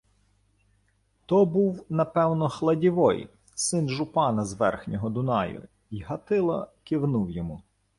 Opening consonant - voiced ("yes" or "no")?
no